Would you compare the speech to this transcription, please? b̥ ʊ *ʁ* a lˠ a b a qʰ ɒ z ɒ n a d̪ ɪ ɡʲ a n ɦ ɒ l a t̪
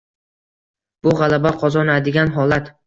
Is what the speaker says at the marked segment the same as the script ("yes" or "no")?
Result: yes